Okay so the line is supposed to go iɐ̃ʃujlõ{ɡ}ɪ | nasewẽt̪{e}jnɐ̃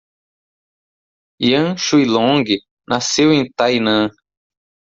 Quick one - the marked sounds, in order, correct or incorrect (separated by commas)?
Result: correct, incorrect